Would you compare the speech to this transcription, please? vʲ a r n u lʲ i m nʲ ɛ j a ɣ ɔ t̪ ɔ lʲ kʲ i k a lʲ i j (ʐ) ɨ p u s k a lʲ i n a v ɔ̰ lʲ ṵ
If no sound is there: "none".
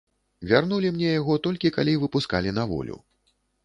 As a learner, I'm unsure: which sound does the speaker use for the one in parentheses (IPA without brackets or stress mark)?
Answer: v